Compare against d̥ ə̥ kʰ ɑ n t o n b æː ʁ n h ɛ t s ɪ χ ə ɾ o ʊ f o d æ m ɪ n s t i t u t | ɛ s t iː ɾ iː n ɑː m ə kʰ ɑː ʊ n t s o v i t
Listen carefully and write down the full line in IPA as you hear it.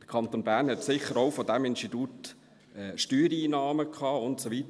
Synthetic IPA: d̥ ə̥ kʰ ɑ n t o n b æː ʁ n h ɛ t s ɪ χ ə ɾ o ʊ f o d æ m ɪ n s t i t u t | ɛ ʃ t yː ɾ iː n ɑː m ə kʰ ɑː ʊ n t s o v i t